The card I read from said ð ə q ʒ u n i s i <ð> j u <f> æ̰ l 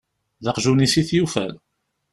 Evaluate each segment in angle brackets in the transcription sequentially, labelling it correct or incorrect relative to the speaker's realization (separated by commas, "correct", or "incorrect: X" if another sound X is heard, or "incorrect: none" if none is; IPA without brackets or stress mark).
incorrect: θ, correct